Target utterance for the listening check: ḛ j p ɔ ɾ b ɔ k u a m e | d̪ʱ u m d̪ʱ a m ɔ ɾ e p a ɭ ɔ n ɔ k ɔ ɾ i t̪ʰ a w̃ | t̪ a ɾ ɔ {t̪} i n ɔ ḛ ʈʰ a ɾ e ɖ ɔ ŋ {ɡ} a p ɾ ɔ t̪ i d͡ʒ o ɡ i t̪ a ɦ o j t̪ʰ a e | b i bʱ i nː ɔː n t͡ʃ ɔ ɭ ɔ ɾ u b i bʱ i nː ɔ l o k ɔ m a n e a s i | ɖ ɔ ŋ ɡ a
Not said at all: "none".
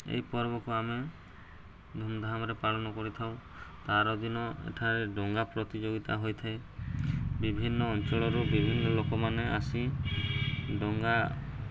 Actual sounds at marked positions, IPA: d̪, ɡ

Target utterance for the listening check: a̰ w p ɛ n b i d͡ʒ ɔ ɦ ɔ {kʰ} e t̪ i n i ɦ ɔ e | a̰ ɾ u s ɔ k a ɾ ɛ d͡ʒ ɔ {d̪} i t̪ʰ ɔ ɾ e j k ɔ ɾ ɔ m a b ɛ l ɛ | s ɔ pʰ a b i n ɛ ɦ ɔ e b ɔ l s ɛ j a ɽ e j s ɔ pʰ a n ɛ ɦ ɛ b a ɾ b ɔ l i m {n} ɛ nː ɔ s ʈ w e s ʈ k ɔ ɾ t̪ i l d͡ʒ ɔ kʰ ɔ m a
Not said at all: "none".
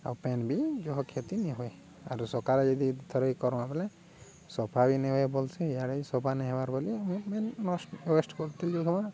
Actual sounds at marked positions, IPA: kʰ, d̪, m

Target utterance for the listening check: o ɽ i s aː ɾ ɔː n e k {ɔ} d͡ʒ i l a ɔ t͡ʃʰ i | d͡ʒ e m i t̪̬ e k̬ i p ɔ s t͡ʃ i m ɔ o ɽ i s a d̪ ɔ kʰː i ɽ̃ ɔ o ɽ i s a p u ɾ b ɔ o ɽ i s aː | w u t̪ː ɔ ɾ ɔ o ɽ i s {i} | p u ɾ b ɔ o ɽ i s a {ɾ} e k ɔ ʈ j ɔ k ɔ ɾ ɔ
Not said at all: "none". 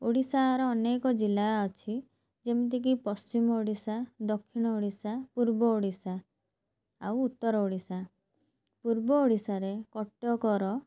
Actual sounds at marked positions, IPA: ɔ, a, ɾ

